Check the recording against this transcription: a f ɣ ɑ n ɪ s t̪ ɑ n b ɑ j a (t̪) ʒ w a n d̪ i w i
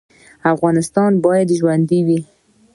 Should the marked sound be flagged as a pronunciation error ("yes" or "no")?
yes